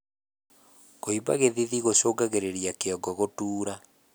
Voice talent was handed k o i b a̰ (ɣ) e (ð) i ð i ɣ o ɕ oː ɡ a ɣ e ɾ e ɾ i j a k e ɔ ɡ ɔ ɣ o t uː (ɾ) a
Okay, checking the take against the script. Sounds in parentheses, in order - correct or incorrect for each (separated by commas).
correct, correct, correct